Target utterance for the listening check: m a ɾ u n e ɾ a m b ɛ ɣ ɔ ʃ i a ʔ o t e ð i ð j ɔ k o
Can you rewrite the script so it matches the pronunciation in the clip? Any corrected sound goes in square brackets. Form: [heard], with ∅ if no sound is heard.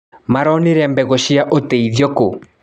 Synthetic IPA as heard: m a ɾ [ɔ] n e ɾ [ɛ] m b ɛ ɣ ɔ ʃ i a ʔ o t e [∅] i ð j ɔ k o

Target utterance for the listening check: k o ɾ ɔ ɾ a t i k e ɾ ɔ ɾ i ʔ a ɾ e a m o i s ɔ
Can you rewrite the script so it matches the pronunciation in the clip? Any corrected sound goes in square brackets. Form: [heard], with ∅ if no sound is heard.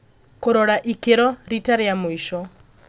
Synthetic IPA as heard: k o ɾ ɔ ɾ a [ʔ] i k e ɾ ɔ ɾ i [t] a ɾ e a m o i [ʃ] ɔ

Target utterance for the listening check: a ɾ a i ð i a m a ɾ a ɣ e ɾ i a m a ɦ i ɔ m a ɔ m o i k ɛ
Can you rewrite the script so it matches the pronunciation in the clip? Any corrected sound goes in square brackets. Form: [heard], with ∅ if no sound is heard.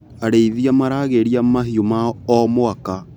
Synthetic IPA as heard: a ɾ [e] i ð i a m a ɾ a ɣ e ɾ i a m a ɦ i [o] m a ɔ m o [a] k [a]

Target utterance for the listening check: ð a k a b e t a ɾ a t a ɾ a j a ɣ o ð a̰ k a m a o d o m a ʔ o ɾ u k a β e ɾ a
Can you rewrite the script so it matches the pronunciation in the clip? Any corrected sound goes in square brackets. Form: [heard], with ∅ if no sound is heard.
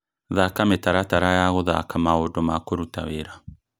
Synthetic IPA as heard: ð a k a [m] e t a ɾ a t a ɾ a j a ɣ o ð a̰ k a m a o d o m a [k] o ɾ u [t] a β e ɾ a

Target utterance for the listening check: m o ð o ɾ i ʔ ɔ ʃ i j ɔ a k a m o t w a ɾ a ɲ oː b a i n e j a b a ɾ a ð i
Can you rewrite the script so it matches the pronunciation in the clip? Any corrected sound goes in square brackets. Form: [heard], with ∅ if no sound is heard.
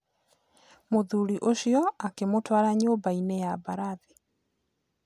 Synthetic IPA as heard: m o ð [u] ɾ i ʔ [o] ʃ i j ɔ a k [e] m o t w a ɾ a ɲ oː b a i n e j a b a ɾ a ð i

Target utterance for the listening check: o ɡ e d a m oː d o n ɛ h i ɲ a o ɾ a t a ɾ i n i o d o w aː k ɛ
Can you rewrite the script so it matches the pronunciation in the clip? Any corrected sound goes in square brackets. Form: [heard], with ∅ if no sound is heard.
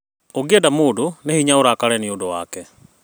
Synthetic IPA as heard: o ɡ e d a m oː d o n [e] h i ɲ a o ɾ a [k] a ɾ [ɛ] n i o d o w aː k ɛ

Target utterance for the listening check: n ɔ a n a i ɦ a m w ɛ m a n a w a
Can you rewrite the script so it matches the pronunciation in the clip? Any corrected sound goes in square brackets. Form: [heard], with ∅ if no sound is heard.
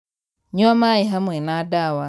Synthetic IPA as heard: [ɲ] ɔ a [m] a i ɦ a m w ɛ [n] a [d] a w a

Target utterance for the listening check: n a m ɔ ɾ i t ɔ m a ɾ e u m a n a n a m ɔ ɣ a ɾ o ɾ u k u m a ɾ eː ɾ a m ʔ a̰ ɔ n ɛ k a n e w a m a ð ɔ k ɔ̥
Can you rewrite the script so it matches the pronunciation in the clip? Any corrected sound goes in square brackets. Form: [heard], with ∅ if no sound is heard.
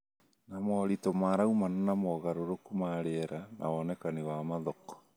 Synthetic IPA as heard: n a m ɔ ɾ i t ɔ m a ɾ [a] u m a n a n a m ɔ ɣ a ɾ o ɾ [o] k u m a ɾ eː ɾ a [n] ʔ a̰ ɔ n ɛ k a n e w a m a ð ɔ k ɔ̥

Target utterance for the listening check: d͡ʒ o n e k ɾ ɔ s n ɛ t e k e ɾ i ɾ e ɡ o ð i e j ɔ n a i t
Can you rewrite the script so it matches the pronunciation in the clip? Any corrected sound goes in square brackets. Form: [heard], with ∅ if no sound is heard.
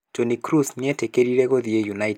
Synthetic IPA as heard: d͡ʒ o n [i] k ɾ [u] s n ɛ t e k e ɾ i ɾ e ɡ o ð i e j [u] n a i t

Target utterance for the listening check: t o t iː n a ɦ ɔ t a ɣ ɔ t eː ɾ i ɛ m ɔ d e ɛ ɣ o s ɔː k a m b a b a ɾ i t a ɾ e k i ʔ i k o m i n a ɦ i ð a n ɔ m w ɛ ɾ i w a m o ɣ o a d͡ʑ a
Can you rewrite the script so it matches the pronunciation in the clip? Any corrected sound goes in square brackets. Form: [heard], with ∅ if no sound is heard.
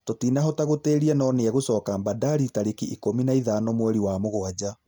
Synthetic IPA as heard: t o t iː n a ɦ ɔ t a ɣ [o] t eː ɾ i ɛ [n] ɔ [n] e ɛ ɣ o s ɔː k a m b a [d] a ɾ i t a ɾ e k i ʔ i k o m i n a [∅] i ð a n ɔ m w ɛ ɾ i w a m o ɣ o a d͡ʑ a

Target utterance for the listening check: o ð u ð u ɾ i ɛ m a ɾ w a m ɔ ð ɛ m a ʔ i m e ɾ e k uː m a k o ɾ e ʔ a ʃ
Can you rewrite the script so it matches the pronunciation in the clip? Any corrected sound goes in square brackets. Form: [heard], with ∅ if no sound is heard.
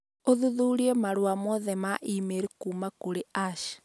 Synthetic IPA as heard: o ð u ð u ɾ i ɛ m a ɾ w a m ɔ ð ɛ m a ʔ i m e ɾ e k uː m a k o ɾ e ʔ a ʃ

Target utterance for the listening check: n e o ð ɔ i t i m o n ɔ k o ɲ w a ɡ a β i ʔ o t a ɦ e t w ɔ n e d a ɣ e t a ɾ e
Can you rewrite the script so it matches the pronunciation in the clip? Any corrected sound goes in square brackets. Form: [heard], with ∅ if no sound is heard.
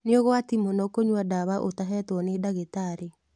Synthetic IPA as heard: n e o [ɣ] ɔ [a] t i m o n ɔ k o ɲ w a [d] a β [a] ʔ o t a ɦ [ɛ] t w ɔ n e d a ɣ e t a ɾ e

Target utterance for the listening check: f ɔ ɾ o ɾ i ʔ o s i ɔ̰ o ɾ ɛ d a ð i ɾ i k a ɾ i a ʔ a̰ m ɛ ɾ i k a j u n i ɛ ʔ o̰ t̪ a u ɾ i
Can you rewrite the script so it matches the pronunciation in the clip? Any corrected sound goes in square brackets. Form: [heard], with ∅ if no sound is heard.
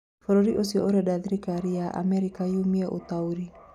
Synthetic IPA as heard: f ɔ ɾ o ɾ i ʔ o s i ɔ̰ o ɾ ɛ d a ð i ɾ i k a ɾ i a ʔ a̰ m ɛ ɾ i k a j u [m] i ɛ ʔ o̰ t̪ a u ɾ i

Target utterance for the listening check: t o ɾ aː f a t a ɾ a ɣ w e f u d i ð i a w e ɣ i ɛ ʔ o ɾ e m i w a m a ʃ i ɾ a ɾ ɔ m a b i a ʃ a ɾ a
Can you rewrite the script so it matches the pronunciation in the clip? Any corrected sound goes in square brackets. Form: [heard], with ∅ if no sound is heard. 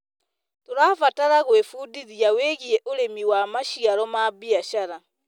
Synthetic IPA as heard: t o ɾ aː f a t a ɾ a ɣ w e f u d i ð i a w e ɣ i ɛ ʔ o ɾ e m i w a m a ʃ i [∅] a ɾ ɔ m a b i a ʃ a ɾ a

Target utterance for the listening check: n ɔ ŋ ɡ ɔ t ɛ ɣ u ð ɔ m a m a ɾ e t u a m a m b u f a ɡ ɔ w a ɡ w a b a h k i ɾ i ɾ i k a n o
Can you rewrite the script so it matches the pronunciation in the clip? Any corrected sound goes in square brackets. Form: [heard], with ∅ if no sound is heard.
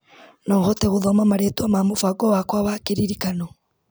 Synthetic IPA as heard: n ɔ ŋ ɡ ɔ t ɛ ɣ u ð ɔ m a m a ɾ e t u a m a m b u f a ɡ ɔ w a [k] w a [β] a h k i ɾ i ɾ i k a n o

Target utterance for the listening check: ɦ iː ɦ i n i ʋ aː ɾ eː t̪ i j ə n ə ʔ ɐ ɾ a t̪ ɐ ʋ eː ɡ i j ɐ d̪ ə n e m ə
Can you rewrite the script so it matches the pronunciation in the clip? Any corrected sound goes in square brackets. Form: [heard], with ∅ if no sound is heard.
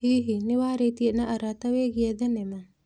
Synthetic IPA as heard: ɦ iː ɦ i n i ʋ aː ɾ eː t̪ i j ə n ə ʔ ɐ ɾ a t̪ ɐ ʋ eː ɡ i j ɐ d̪ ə n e m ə

